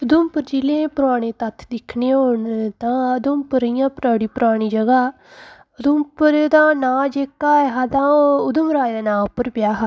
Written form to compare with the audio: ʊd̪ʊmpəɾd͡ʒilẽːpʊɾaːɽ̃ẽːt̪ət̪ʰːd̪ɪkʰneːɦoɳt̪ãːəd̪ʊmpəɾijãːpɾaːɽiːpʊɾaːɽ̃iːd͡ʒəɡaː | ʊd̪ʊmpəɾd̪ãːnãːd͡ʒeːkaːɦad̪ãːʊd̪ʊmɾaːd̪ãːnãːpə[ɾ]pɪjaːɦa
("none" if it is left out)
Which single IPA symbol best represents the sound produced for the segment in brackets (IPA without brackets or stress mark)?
ɾ